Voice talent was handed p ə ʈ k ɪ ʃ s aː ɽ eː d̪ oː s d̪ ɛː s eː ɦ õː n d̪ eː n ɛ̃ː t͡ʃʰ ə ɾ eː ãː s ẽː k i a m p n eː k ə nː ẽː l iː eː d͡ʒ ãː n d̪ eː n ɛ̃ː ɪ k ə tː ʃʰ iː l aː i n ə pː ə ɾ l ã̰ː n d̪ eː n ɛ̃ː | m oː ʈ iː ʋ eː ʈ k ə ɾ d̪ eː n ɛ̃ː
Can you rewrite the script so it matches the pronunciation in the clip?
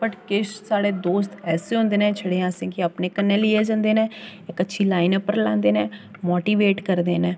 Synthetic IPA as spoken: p ə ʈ k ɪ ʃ s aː ɽ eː d̪ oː s t̪ ɛː s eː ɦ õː n d̪ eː n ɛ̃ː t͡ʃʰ ə ɽ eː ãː s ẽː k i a p n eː k ə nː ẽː l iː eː d͡ʒ ãː n d̪ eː n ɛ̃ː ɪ k ə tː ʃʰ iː l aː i n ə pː ə ɾ l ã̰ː n d̪ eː n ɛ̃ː | m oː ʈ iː ʋ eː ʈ k ə ɾ d̪ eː n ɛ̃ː